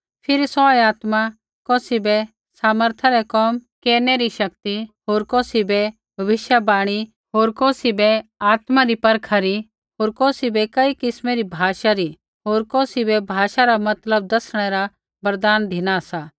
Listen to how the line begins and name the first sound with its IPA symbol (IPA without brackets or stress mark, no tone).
pʰ